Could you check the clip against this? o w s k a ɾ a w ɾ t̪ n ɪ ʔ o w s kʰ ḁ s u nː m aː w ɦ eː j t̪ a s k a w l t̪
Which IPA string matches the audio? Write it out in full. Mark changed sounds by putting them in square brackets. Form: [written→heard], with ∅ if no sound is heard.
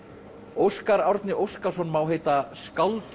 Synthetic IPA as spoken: o w s k a ɾ a w ɾ t̪ n ɪ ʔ o w s [kʰ→k] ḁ s [u→ɔ] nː m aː w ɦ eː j t̪ a s k a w l t̪